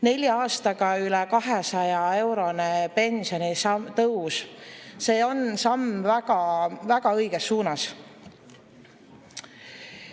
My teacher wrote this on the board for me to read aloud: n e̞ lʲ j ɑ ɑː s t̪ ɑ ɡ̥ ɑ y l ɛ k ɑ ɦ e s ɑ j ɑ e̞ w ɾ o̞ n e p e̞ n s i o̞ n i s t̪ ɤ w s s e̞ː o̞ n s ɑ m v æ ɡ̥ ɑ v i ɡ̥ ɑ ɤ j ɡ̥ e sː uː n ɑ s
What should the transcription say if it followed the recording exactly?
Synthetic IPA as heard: n e̞ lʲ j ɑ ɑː s t̪ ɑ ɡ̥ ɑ y l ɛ k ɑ ɦ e s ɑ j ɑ e̞ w ɾ o̞ n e p e̞ n s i o̞ n i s t̪ ɤ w s s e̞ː o̞ n s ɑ m v æ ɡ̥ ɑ v æ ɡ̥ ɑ ɤ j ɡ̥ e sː uː n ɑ s